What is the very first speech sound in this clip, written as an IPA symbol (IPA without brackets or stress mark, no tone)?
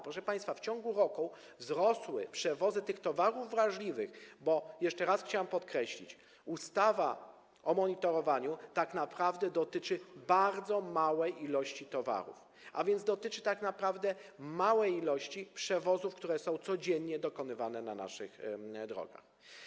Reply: p